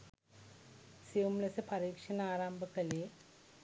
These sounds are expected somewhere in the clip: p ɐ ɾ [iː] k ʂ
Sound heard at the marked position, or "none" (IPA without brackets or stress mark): iː